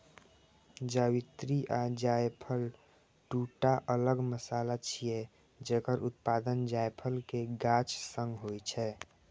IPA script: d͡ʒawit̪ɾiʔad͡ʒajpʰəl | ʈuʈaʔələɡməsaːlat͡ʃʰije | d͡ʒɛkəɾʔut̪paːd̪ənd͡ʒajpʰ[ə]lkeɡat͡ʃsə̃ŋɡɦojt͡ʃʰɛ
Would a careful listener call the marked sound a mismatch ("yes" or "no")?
no